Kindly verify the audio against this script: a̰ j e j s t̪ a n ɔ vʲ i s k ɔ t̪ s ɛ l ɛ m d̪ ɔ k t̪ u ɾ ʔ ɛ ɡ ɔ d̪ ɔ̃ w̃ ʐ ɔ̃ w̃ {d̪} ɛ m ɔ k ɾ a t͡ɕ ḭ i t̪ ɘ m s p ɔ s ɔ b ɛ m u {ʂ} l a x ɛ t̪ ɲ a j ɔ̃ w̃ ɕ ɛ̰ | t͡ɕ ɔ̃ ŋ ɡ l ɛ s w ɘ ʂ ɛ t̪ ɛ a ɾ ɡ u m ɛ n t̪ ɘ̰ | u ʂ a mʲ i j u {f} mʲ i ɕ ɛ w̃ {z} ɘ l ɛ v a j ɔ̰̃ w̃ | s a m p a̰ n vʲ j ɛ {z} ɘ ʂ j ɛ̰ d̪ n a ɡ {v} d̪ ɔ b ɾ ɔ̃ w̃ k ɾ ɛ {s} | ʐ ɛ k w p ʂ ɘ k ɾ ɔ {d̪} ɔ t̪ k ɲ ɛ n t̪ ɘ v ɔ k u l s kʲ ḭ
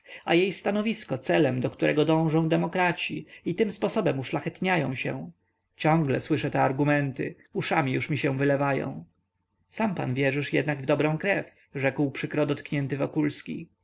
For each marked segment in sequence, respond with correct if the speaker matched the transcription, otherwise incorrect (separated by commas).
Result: correct, correct, incorrect, incorrect, incorrect, correct, incorrect, correct